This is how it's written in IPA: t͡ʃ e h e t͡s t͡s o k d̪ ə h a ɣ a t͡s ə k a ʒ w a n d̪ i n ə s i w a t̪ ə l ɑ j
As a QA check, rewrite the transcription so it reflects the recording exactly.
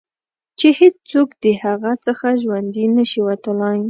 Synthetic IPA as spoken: t͡ʃ e h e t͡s t͡s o k d̪ ə h a ɣ a t͡s ə x a ʒ w a n d̪ i n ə ʃ i w a t̪ ə l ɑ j